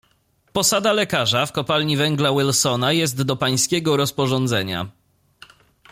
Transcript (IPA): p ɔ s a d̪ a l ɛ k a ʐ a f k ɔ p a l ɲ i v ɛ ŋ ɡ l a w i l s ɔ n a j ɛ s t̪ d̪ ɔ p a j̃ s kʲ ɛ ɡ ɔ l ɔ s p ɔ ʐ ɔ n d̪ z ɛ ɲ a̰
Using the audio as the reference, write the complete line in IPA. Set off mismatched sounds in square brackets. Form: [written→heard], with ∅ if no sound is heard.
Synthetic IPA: p ɔ s a d̪ a l ɛ k a ʐ a f k ɔ p a l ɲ i v ɛ ŋ ɡ l a w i l s ɔ n a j ɛ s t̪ d̪ ɔ p a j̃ s kʲ ɛ ɡ ɔ [l→ɾ] ɔ s p ɔ ʐ ɔ n d̪ z ɛ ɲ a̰